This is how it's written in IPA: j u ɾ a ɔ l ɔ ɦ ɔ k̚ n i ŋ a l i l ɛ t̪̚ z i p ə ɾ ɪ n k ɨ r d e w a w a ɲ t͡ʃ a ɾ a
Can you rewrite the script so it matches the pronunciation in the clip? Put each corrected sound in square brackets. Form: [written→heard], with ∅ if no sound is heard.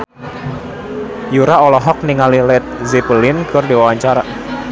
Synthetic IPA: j u ɾ a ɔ l ɔ ɦ ɔ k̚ n i ŋ a l i l ɛ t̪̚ z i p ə [ɾ→l] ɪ n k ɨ r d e w a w a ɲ t͡ʃ a ɾ a